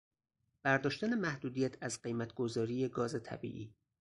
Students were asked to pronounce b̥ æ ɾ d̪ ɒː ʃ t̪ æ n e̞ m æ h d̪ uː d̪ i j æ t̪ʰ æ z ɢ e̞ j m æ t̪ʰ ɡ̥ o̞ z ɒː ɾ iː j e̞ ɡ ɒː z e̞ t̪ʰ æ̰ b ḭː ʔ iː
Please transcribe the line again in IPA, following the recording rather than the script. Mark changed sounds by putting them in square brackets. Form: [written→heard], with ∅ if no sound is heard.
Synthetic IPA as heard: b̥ æ ɾ d̪ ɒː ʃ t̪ æ n e̞ m æ h d̪ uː d̪ i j æ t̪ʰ æ z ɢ e̞ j m æ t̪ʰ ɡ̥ o̞ z ɒː ɾ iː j e̞ ɡ ɒː z e̞ t̪ʰ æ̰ b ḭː ʔ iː